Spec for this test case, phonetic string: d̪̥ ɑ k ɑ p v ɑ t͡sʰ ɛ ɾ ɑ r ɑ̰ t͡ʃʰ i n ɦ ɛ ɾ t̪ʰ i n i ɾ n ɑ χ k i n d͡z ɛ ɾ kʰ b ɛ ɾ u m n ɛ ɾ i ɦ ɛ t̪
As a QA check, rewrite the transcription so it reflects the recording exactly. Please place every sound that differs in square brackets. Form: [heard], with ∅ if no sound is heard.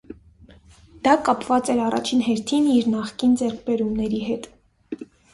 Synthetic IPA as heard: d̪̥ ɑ k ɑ p v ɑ [t͡s] ɛ ɾ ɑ r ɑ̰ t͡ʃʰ i n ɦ ɛ ɾ t̪ʰ i n i ɾ n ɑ χ k i n d͡z ɛ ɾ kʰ b ɛ ɾ u m n ɛ ɾ i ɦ ɛ t̪